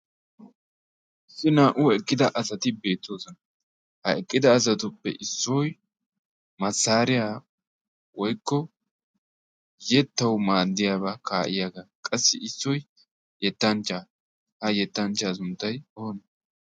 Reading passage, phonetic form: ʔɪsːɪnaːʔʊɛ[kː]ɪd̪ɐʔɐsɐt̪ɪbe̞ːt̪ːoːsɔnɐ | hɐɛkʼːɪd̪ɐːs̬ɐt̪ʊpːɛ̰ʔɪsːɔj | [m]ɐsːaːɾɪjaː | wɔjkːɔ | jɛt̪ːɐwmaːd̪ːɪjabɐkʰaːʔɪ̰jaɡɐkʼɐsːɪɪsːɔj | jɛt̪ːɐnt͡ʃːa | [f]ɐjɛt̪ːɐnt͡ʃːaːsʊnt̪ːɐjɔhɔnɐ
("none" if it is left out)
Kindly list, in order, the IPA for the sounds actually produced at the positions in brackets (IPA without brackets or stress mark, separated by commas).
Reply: kʼː, m, h